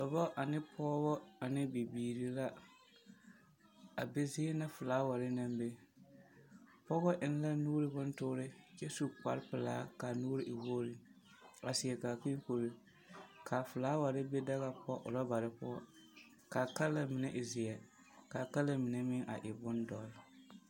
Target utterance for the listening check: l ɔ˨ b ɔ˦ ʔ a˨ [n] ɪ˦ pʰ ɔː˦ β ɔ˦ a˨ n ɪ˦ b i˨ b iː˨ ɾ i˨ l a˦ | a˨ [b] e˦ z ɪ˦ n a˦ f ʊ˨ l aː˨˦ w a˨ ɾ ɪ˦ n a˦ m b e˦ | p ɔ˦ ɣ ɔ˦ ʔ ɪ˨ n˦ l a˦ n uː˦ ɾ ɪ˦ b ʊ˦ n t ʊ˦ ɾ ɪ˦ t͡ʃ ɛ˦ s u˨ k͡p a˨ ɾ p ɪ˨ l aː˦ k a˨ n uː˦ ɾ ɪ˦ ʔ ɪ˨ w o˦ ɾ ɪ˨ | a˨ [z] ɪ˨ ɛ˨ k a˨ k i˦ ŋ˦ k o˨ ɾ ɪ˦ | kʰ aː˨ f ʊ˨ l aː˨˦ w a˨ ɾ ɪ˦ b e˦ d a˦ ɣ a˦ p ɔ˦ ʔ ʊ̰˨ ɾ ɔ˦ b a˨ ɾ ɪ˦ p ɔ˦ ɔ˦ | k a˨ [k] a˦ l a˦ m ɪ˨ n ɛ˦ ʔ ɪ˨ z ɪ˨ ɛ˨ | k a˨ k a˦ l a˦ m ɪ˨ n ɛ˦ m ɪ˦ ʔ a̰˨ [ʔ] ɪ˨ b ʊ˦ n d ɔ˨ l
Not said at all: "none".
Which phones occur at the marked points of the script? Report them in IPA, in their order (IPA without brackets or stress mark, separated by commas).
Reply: n, b, s, k, ʔ